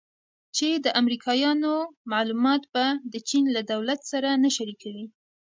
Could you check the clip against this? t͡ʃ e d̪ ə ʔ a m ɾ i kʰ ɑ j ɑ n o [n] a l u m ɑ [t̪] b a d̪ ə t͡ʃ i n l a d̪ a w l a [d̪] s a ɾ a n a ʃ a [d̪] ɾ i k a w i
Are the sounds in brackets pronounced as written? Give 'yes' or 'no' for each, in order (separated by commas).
no, yes, no, no